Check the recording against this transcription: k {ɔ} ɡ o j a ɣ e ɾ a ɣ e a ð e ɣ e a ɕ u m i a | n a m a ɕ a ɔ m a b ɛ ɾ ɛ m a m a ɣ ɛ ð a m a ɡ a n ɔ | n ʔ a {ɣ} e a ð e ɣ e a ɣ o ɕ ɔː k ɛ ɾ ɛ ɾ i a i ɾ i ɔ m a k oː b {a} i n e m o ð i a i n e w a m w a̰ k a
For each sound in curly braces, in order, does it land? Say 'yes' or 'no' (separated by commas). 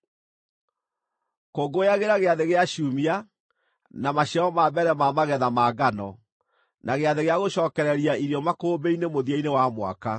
no, yes, no